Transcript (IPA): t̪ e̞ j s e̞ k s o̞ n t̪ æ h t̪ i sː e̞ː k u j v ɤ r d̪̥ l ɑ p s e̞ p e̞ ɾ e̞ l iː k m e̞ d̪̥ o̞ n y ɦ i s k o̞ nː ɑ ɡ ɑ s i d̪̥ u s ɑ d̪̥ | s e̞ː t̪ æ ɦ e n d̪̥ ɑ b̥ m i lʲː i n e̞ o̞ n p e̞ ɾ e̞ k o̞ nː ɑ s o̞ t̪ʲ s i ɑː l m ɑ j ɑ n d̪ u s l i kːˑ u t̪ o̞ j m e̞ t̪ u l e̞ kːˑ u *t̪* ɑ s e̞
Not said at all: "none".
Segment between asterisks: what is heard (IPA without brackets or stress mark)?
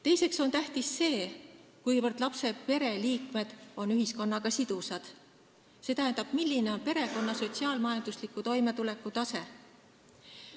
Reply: t̪